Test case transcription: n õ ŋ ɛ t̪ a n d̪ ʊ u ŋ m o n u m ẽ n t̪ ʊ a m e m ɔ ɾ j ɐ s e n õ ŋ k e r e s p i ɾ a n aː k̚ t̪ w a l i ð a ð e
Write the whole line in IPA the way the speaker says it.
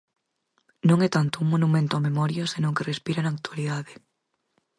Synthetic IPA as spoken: n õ ŋ ɛ t̪ a n t̪ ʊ u ŋ m o n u m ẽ n t̪ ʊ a m e m ɔ ɾ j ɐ s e n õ ŋ k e r e s p i ɾ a n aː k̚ t̪ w a l i ð a ð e